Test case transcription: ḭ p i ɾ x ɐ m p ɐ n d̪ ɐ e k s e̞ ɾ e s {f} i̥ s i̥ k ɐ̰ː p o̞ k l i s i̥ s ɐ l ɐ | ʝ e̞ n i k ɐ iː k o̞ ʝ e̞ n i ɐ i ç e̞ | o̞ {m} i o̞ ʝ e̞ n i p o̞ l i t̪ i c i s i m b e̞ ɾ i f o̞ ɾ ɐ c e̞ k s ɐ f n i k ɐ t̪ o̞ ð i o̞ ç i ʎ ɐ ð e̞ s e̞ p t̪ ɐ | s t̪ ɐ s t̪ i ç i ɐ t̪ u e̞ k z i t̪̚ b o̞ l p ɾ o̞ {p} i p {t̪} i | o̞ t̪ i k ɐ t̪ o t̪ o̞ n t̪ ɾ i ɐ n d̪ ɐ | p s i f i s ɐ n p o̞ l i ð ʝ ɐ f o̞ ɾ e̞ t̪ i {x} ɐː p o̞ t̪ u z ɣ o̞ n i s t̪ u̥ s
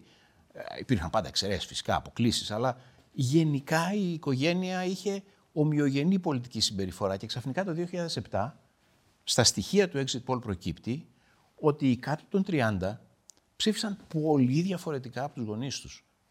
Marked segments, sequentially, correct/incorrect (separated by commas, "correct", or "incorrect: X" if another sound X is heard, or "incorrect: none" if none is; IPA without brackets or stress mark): correct, correct, incorrect: c, correct, incorrect: k